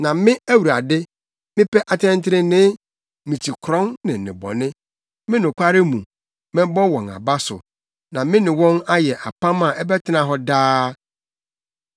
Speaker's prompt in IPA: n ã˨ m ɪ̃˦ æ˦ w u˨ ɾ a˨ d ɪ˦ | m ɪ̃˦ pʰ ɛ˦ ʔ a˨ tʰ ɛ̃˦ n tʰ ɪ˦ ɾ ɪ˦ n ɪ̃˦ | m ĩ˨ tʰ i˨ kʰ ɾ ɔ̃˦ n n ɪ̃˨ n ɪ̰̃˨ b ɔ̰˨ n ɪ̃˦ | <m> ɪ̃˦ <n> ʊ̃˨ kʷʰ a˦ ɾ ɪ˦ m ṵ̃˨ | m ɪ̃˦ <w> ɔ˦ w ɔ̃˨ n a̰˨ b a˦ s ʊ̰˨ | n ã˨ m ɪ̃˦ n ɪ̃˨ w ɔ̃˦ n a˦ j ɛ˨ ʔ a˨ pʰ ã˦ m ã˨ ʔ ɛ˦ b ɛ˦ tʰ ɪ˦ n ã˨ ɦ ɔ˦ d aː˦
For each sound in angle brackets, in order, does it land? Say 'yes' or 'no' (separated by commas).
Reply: yes, yes, no